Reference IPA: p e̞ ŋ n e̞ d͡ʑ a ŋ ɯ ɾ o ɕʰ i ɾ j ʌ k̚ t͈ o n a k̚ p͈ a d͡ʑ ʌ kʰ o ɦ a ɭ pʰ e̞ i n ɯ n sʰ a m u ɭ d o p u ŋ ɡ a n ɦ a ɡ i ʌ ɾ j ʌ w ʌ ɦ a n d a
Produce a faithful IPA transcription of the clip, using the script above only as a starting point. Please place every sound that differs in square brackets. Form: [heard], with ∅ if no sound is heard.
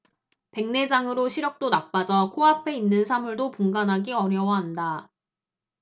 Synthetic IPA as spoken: p e̞ ŋ n e̞ d͡ʑ a ŋ ɯ ɾ o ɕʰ i ɾ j ʌ k̚ t͈ o n a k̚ p͈ a d͡ʑ ʌ kʰ o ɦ a [∅] pʰ e̞ i [nː] ɯ n sʰ a m u ɭ d o p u ŋ ɡ a n ɦ a ɡ i ʌ ɾ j ʌ w ʌ ɦ a n d a